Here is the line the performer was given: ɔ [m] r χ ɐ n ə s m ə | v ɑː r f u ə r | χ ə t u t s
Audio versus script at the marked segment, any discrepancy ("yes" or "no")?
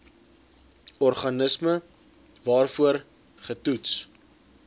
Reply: yes